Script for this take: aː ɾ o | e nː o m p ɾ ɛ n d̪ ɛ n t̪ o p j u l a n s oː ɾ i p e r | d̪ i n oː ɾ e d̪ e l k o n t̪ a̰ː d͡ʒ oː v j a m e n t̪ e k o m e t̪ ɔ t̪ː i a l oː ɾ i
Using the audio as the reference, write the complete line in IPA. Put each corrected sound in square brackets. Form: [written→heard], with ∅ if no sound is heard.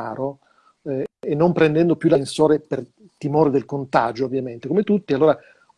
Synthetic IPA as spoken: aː ɾ o | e nː o m p ɾ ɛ n d̪ ɛ n [t̪→d̪] o p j u l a n s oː ɾ [i→e] p e r | [d̪→t̪] i [n→m] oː ɾ e d̪ e l k o n t̪ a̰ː d͡ʒ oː v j a m e n t̪ e k o m e t̪ [ɔ→u] t̪ː i a [l→lː] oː ɾ [i→a]